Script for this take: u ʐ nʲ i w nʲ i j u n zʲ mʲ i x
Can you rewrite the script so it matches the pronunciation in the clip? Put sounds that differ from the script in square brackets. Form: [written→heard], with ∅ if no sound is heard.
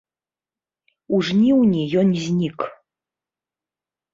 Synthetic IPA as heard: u ʐ nʲ i w nʲ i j [u→ɔ] n zʲ [mʲ→nʲ] i [x→k]